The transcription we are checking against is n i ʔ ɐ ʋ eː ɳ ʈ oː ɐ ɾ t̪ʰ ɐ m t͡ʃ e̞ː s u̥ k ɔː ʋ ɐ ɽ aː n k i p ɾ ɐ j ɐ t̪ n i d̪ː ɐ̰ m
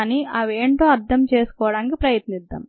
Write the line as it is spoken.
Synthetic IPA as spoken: n i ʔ ɐ ʋ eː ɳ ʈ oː ɐ ɾ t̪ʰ ɐ m t͡ʃ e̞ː s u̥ k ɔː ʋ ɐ ɽ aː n k i p ɾ ɐ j ɐ t̪ n i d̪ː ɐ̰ m